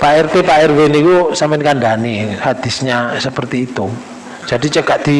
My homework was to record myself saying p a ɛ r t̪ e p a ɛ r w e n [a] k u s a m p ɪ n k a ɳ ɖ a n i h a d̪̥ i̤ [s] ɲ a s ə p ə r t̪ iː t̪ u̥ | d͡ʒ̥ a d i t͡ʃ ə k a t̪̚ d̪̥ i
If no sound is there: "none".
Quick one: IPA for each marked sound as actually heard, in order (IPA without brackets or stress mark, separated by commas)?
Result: i, s